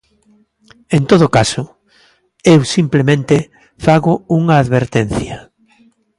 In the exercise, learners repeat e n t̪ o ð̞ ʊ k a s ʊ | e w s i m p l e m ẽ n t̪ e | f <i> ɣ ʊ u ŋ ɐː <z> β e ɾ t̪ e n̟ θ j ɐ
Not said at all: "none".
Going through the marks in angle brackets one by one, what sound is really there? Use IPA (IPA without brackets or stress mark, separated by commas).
a, ð